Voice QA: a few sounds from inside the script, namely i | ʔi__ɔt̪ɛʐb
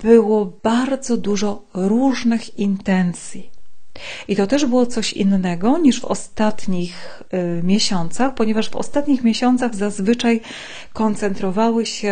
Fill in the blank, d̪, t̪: t̪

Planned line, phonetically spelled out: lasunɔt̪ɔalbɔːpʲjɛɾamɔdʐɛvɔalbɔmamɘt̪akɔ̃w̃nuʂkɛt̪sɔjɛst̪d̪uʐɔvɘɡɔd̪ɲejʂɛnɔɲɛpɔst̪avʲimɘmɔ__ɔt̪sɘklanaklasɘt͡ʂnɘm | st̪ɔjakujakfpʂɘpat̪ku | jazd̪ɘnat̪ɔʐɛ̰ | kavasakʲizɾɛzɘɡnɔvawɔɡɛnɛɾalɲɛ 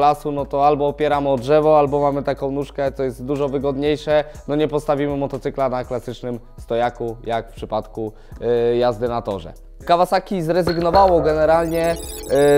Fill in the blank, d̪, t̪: t̪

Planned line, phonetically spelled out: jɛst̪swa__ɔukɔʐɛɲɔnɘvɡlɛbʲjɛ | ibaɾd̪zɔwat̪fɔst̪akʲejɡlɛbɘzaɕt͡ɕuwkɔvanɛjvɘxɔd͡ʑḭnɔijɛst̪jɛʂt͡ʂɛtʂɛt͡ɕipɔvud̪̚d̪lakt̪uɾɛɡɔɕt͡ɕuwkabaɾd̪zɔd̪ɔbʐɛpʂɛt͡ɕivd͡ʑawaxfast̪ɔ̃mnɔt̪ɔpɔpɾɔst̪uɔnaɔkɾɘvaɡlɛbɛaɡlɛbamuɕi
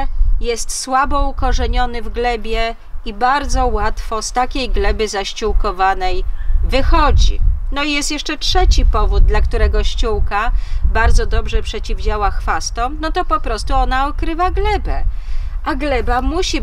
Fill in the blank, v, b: b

